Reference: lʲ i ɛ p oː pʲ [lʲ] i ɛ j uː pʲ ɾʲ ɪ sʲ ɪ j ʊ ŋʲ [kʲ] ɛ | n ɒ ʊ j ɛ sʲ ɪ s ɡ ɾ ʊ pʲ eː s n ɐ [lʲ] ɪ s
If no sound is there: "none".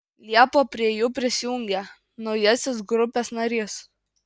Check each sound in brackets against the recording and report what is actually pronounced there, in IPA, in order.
ɾʲ, ɡʲ, ɾʲ

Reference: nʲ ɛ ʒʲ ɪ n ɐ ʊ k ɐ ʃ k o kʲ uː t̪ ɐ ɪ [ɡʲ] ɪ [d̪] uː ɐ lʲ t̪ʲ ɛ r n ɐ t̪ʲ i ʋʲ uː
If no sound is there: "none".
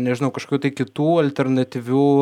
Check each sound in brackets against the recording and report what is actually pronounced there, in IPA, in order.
kʲ, t̪

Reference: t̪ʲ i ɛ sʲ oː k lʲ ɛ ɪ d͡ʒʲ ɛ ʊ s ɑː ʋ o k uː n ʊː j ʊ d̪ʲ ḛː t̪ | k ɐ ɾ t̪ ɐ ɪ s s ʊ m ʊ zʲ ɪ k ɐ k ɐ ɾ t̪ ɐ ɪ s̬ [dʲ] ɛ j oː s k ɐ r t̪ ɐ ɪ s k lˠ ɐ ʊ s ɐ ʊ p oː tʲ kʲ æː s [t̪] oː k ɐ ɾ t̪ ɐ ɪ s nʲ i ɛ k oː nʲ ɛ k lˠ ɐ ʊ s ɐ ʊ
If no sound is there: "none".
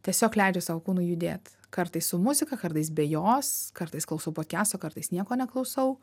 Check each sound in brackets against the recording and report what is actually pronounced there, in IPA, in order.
bʲ, t̪

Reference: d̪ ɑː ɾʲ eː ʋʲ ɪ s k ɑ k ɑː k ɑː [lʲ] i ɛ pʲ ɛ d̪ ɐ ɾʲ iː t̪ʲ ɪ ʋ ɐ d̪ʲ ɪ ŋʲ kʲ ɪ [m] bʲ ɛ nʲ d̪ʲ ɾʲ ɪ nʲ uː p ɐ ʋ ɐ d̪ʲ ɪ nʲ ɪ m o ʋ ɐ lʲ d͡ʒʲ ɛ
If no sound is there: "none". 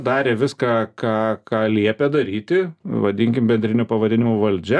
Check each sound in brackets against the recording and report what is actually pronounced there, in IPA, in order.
lʲ, m

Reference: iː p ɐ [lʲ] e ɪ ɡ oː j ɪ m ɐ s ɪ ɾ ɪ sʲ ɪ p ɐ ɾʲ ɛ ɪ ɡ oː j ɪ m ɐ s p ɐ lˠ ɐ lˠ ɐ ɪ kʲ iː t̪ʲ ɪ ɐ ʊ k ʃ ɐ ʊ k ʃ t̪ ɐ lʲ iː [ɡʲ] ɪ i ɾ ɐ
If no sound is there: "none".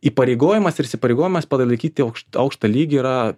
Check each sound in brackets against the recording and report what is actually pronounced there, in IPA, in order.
ɾʲ, ɡʲ

